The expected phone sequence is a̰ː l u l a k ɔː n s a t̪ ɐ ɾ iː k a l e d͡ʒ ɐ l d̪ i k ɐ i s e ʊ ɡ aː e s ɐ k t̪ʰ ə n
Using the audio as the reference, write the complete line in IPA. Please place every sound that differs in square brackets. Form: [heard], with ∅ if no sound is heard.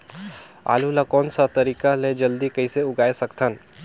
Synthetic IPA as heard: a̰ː l u l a k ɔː n s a t̪ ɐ ɾ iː k a l e d͡ʒ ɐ l d̪ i k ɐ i s e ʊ ɡ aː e s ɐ k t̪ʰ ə n